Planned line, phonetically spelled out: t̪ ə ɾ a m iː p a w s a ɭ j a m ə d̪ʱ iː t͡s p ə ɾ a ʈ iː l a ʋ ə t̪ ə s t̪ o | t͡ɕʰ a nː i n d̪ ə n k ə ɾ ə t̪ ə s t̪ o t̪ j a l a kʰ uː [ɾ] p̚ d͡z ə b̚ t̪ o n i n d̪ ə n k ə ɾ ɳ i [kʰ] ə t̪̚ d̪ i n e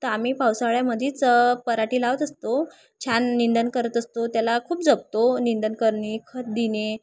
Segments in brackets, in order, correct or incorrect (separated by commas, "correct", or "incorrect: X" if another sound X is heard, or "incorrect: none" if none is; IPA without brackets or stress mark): incorrect: none, correct